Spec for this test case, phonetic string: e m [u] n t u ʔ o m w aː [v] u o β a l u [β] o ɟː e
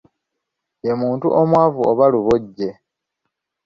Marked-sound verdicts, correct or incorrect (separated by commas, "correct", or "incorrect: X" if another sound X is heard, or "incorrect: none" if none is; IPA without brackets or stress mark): incorrect: uː, correct, correct